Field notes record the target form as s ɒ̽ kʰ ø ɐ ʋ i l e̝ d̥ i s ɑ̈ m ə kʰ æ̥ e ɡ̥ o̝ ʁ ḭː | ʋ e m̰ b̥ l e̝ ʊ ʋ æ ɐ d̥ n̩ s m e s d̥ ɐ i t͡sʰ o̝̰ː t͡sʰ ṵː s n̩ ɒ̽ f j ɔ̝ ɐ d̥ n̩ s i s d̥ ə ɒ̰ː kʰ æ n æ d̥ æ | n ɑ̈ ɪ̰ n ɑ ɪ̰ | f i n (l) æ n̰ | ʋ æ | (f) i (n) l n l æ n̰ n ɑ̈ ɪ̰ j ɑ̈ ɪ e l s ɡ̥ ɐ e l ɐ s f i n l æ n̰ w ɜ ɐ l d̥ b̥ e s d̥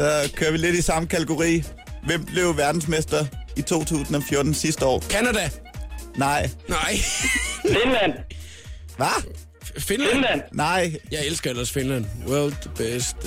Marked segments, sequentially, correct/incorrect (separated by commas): correct, correct, correct